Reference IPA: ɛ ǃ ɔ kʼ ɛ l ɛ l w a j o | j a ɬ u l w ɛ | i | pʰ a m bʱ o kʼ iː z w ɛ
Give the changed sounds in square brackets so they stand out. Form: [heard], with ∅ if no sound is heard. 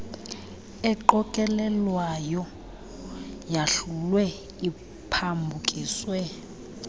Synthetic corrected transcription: ɛ ǃ ɔ kʼ ɛ l ɛ l w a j [ɔ] | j a ɬ u l w ɛ | i | pʰ a m bʱ [u] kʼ iː [s] w ɛ